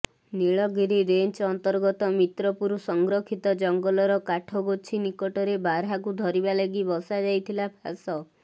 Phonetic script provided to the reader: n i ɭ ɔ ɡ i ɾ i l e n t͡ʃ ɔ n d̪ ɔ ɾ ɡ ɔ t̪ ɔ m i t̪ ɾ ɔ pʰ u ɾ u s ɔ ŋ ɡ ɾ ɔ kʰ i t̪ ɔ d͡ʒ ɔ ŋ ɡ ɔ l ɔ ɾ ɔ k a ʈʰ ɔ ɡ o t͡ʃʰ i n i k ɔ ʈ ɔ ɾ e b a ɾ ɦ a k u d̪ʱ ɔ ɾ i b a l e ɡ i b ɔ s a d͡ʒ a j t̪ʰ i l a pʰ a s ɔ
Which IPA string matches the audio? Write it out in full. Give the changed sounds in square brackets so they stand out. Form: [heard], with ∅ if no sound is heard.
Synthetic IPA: n i ɭ ɔ ɡ i ɾ i [ɾ] e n t͡ʃ ɔ n [t̪] ɔ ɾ ɡ ɔ t̪ ɔ m i t̪ ɾ ɔ [p] u ɾ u s ɔ ŋ ɡ ɾ ɔ kʰ i t̪ ɔ d͡ʒ ɔ ŋ ɡ ɔ l ɔ ɾ ɔ k a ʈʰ ɔ ɡ o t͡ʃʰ i n i k ɔ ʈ ɔ ɾ e b a ɾ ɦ a k u d̪ʱ ɔ ɾ i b a l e ɡ i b ɔ s a d͡ʒ a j t̪ʰ i l a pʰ a s ɔ